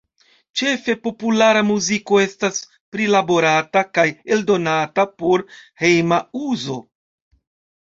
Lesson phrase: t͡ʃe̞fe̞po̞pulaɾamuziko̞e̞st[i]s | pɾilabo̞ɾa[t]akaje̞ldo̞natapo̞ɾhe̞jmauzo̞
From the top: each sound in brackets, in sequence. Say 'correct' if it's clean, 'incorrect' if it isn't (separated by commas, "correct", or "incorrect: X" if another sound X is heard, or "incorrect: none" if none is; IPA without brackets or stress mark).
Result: incorrect: a, correct